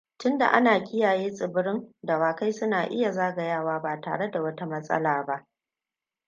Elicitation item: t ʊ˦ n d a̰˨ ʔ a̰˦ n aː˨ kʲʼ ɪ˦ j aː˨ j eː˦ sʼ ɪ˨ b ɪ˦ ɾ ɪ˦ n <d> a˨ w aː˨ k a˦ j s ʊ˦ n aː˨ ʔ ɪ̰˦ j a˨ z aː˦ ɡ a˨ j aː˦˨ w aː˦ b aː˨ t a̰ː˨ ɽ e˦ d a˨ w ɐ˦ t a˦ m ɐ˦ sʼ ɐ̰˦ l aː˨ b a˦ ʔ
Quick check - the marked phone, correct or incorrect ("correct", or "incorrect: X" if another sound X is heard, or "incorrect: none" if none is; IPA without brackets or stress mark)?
correct